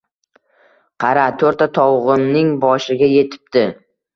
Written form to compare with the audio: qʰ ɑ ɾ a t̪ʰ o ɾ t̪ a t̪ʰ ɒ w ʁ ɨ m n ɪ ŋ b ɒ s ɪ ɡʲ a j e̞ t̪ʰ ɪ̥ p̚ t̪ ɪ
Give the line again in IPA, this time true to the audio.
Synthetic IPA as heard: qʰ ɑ ɾ a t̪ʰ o ɾ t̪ a t̪ʰ ɒ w ʁ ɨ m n ɪ ŋ b ɒ ʃ ɪ ɡʲ a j e̞ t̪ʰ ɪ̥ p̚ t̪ ɪ